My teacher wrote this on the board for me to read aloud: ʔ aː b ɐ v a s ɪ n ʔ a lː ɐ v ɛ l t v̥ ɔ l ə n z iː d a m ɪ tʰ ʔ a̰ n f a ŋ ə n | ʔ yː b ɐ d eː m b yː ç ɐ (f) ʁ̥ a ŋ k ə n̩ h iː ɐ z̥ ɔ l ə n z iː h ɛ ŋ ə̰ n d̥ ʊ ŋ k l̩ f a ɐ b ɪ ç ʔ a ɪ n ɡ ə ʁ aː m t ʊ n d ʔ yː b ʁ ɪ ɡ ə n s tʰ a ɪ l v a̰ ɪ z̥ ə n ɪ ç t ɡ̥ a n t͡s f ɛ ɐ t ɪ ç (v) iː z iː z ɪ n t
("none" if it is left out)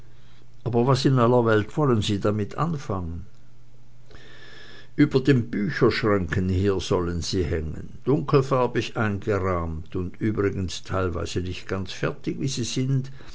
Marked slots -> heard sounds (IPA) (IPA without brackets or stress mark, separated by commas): ʃ, v